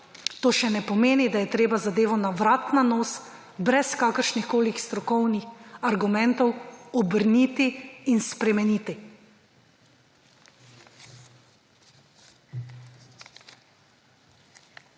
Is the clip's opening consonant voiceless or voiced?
voiceless